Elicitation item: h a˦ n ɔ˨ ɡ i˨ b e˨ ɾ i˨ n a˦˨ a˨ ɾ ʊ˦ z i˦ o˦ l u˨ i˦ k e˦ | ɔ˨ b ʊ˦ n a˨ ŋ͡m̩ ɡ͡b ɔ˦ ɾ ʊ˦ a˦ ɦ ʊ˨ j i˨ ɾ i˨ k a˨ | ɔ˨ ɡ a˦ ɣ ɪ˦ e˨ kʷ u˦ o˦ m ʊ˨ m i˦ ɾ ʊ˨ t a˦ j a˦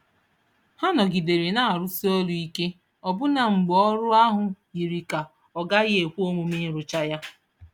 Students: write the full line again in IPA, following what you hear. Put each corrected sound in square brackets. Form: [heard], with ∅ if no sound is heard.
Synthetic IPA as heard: h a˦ n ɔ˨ ɡ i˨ [d] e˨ ɾ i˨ n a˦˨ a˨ ɾ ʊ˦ [s] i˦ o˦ l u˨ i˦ k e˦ | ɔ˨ b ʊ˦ n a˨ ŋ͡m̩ ɡ͡b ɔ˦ ɾ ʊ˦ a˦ ɦ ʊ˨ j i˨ ɾ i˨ k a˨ | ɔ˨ ɡ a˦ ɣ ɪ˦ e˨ kʷ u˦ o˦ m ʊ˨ m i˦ ɾ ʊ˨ [t͡ʃ] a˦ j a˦